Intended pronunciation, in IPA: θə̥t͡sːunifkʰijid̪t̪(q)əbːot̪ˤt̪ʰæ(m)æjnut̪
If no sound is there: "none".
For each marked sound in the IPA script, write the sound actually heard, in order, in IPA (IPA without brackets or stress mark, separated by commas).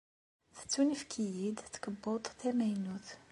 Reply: k, m